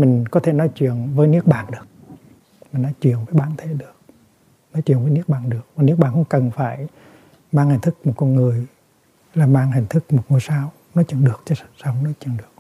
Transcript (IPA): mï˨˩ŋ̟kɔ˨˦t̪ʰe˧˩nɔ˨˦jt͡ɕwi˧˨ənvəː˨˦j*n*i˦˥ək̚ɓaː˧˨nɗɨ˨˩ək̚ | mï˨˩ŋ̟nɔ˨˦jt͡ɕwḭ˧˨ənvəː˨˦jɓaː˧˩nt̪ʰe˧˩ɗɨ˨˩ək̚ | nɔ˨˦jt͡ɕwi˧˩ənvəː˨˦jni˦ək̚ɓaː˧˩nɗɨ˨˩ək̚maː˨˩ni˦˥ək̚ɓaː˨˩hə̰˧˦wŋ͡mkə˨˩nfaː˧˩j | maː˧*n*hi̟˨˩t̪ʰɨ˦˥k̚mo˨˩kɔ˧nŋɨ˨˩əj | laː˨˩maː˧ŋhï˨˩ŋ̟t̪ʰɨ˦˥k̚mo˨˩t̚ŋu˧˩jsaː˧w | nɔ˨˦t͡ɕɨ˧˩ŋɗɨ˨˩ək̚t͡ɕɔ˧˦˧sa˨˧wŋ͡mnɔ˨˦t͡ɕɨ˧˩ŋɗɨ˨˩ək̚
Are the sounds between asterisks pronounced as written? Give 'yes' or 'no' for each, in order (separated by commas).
yes, no